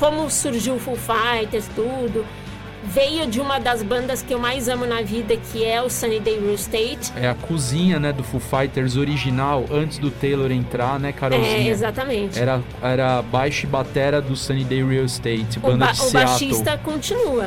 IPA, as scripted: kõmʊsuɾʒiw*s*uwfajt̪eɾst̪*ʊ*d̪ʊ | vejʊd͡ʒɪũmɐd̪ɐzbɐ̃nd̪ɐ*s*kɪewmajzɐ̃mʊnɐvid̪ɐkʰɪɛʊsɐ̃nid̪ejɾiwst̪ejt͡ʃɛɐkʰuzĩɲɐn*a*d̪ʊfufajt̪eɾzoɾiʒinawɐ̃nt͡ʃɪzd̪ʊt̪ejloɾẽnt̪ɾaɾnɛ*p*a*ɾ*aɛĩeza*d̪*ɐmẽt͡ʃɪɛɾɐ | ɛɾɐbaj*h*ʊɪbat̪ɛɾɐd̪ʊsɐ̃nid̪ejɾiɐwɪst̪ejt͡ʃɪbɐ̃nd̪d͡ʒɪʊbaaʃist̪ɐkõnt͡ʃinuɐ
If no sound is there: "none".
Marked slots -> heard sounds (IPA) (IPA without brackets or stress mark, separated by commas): f, u, s, ɛ, k, ɾ, t̪, ʃ